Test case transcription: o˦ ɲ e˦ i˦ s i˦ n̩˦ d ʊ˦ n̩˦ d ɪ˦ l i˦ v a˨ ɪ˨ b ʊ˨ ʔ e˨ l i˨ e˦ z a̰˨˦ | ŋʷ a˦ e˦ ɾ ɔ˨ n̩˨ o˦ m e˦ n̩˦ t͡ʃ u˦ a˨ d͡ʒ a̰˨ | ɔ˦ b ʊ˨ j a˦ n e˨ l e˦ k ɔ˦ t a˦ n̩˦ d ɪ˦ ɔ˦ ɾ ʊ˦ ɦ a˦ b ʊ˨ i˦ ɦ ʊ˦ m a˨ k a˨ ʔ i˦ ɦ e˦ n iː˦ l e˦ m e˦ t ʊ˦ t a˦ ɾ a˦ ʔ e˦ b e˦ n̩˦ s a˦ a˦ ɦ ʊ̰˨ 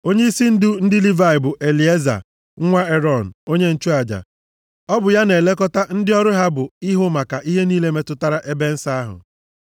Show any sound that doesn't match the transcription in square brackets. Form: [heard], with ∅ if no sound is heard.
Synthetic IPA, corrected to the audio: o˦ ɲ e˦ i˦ s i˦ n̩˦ d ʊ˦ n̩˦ d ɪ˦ l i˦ v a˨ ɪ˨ b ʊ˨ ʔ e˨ l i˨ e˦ z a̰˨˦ | ŋʷ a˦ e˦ ɾ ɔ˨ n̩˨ o˦ [ɲ] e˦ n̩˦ t͡ʃ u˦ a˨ d͡ʒ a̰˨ | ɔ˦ b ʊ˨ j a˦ n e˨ l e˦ k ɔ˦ t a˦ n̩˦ d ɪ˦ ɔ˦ ɾ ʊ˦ ɦ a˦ b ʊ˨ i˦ ɦ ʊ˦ m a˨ k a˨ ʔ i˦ ɦ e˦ n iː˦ l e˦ m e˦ t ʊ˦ t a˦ ɾ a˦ ʔ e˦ b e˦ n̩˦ s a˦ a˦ ɦ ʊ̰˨

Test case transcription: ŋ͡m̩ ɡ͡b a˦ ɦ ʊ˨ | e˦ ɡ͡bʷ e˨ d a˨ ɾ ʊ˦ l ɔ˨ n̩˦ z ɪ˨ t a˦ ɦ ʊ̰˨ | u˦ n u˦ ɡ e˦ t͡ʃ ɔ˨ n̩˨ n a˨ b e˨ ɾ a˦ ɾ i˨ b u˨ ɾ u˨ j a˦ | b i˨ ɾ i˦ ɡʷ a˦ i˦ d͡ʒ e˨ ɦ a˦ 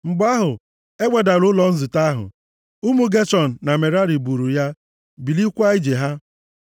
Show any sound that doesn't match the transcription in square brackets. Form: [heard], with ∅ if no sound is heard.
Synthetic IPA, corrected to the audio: ŋ͡m̩ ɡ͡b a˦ ɦ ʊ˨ | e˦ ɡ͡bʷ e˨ d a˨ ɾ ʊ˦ l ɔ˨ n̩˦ z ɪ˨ t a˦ ɦ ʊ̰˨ | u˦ [m] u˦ ɡ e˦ t͡ʃ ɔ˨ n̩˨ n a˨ [m] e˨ ɾ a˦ ɾ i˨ b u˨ ɾ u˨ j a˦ | b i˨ [l] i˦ [kʷ] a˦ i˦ d͡ʒ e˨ ɦ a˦

